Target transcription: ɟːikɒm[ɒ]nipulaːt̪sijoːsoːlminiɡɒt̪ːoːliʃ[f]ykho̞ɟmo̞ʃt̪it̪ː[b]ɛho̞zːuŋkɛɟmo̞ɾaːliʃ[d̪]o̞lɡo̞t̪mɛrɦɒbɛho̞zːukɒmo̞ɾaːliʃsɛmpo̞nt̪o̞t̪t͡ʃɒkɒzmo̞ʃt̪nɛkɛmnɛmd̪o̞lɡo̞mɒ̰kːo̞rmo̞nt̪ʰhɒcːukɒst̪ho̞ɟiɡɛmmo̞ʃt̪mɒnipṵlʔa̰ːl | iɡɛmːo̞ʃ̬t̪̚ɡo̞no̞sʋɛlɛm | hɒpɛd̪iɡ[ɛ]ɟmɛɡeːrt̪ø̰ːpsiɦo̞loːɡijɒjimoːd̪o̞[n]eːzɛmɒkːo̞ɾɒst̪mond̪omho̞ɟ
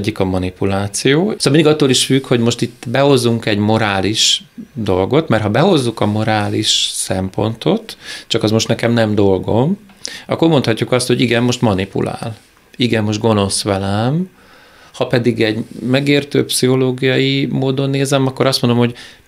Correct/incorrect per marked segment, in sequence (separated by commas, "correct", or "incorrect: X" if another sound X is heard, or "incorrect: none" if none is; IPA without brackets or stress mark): correct, correct, correct, correct, correct, incorrect: nː